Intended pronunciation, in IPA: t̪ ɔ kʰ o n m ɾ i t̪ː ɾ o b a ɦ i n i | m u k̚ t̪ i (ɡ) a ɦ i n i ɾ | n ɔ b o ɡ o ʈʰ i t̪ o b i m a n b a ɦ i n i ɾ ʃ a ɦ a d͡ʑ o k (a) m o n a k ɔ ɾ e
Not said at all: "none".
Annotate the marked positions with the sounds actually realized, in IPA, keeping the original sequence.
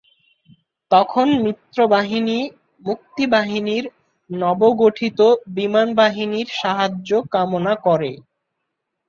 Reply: b, a

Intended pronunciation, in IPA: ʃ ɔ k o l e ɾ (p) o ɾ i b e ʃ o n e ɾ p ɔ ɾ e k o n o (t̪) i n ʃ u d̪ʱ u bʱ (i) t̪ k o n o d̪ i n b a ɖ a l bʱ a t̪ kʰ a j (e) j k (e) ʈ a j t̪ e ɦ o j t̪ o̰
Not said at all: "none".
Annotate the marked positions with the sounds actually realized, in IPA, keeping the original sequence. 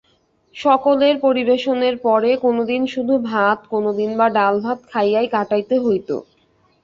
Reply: p, d̪, a, a, a

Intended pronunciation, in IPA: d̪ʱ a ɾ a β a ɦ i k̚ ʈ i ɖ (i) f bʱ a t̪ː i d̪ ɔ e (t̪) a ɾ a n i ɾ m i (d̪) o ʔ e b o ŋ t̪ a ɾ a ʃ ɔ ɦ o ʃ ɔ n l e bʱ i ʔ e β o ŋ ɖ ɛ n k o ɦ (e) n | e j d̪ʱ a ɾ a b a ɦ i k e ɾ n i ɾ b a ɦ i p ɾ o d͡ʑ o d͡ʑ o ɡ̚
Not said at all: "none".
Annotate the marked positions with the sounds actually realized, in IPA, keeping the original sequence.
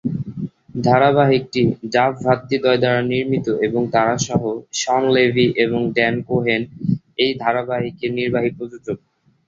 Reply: a, d̪, t̪, e

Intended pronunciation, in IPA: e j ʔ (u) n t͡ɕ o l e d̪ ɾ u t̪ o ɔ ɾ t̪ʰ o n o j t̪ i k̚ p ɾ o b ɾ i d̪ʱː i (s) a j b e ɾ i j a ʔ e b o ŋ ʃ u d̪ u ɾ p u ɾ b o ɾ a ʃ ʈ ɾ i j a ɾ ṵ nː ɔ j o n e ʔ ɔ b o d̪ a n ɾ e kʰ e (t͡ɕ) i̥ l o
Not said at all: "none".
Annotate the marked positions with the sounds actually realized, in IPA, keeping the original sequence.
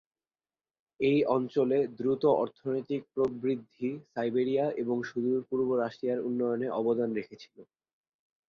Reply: ɔ, s, t͡ɕʰ

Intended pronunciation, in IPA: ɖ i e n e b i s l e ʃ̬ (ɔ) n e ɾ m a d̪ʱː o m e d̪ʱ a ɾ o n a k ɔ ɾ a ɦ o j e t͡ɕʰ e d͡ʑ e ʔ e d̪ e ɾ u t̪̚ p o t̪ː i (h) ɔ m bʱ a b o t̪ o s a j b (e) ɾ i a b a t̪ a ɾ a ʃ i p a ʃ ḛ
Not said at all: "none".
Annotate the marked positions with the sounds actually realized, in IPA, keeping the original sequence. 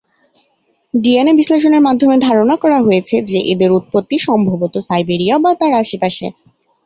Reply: o, ʃ, e

